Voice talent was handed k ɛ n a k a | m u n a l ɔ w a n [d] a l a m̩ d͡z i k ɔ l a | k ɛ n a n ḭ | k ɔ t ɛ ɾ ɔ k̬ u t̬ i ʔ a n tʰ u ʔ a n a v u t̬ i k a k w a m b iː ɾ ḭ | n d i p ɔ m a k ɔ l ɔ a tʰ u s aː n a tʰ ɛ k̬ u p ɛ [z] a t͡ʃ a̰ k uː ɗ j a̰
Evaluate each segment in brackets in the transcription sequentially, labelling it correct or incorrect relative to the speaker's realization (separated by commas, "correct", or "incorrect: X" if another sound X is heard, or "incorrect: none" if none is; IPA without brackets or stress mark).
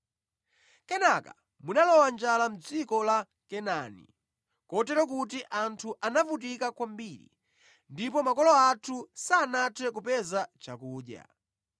incorrect: d͡ʒ, correct